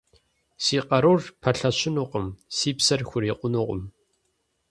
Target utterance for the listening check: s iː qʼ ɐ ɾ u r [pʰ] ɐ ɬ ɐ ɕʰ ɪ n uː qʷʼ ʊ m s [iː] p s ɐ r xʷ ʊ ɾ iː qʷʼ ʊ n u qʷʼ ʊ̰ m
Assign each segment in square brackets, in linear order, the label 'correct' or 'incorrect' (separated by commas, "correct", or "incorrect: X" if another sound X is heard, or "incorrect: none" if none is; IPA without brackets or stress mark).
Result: correct, correct